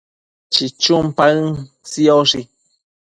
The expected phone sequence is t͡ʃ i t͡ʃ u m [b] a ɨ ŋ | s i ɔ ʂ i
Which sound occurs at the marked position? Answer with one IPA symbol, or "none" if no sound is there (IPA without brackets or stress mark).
p